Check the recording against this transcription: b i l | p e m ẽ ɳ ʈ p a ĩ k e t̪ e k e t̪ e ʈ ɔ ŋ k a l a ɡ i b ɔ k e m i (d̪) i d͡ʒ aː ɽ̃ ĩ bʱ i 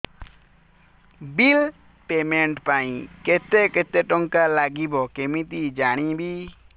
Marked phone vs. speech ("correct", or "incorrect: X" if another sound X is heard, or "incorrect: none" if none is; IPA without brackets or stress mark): incorrect: t̪